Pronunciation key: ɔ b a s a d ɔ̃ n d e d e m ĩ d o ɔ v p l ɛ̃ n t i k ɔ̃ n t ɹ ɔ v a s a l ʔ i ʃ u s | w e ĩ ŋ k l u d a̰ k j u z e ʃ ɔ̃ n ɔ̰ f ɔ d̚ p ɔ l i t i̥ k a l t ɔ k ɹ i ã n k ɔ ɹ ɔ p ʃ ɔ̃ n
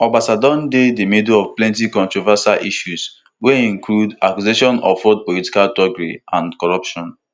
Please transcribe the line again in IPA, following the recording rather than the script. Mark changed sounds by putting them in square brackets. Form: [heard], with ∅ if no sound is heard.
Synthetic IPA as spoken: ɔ b a s a d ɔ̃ n d e d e m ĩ d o ɔ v p l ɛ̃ n t i k ɔ̃ n t ɹ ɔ v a s a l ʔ i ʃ u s | w e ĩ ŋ k l u d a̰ k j u z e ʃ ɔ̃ n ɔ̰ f ɔ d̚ p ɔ l i t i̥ k a l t ɔ [ɡ] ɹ i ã n k ɔ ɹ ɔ p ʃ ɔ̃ n